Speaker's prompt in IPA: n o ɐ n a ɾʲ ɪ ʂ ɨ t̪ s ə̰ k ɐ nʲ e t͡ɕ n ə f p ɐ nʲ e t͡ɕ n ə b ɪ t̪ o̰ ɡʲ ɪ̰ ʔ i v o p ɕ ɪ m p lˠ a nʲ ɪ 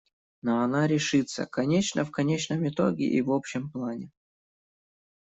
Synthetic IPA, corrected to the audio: n o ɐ n a ɾʲ ɪ ʂ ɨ t̪ s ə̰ k ɐ nʲ e t͡ɕ n ə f k ɐ nʲ e t͡ɕ n ə m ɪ t̪ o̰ ɡʲ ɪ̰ ʔ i v o p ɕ ɪ m p lˠ a nʲ ɪ